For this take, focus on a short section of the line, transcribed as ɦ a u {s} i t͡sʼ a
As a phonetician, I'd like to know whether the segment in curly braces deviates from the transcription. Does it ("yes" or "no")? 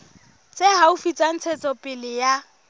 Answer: yes